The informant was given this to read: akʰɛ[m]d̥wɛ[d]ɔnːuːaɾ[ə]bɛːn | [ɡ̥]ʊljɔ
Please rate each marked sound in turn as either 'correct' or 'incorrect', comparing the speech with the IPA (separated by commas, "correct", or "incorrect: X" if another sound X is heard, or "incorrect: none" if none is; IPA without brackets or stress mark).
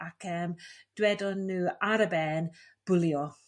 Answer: correct, correct, correct, incorrect: b̥